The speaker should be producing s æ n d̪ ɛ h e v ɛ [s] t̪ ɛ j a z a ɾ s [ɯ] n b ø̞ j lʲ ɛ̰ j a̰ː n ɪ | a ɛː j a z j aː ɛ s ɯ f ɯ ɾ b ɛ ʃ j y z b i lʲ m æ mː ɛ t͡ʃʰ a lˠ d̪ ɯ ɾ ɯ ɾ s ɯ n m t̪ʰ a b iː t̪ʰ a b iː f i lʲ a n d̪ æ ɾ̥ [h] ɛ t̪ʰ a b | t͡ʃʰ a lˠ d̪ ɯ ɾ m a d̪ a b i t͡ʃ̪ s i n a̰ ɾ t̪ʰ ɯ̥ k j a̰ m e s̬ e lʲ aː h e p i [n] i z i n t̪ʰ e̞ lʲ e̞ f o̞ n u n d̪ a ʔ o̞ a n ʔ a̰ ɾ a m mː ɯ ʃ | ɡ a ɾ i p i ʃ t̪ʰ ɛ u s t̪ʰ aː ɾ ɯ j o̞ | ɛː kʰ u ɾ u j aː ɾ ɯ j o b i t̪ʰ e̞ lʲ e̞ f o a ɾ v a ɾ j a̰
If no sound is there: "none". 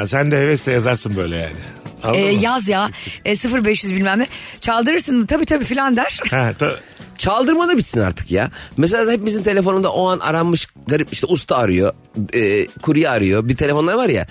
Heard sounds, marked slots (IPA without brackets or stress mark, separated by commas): s, ɯ, h, m